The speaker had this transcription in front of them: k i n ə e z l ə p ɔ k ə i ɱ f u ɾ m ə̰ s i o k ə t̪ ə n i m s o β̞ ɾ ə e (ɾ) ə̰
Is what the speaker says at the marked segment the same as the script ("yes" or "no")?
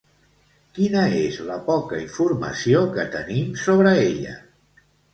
no